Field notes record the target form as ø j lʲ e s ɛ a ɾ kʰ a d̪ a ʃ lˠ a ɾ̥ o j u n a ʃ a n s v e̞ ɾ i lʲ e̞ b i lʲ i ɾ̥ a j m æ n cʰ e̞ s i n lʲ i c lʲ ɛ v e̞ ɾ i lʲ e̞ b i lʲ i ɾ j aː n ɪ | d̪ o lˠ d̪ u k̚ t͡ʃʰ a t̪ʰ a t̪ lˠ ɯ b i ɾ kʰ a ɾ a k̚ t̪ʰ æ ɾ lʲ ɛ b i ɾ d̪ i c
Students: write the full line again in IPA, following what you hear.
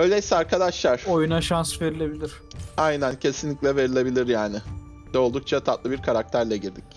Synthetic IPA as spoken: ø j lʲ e s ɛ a ɾ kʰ a d̪ a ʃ lˠ a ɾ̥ o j u n a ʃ a n s v e̞ ɾ i lʲ e̞ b i lʲ i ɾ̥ a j n æ n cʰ e̞ s i n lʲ i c lʲ ɛ v e̞ ɾ i lʲ e̞ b i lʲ i ɾ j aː n ɪ | d̪ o lˠ d̪ u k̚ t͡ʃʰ a t̪ʰ a t̪ lˠ ɯ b i ɾ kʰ a ɾ a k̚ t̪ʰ æ ɾ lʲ ɛ ɟ i ɾ d̪ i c